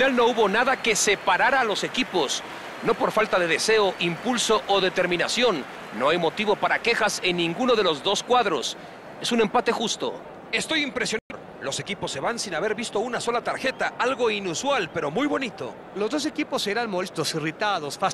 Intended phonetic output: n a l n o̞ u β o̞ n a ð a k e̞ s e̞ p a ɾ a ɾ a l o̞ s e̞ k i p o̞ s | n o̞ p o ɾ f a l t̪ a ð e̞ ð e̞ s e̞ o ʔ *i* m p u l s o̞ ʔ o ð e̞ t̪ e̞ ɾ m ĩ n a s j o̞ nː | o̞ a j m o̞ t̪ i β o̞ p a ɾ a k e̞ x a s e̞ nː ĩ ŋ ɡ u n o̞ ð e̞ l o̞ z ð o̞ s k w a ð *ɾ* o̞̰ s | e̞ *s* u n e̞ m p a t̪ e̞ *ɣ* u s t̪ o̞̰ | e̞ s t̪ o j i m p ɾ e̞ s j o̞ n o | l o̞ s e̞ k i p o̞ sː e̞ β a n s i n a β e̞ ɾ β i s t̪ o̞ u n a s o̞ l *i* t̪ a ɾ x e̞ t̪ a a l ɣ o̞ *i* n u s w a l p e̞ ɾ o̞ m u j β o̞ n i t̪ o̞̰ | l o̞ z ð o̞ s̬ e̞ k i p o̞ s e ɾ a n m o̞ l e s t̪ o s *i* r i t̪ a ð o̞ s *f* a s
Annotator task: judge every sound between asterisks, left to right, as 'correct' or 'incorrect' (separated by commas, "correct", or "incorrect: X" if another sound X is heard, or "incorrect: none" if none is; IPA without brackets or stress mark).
correct, correct, correct, incorrect: x, incorrect: a, correct, correct, correct